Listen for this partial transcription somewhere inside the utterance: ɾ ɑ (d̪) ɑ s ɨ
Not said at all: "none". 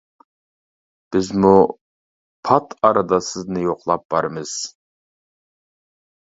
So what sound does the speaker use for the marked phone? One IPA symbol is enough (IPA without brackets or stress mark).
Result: d̪